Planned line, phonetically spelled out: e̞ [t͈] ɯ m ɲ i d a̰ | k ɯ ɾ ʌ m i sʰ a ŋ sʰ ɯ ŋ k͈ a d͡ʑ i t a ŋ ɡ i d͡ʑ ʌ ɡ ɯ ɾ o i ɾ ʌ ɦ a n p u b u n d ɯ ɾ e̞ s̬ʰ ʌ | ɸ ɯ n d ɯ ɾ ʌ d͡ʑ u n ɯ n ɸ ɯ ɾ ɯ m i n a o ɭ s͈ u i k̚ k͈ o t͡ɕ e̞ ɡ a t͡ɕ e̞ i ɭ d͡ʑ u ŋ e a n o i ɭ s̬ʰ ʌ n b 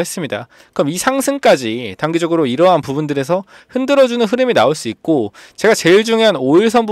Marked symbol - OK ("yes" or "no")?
no